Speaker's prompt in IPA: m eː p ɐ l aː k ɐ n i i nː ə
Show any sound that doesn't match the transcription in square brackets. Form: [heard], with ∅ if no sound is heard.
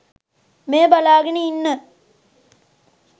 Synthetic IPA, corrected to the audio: m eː [b] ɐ l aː [ɡ] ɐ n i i nː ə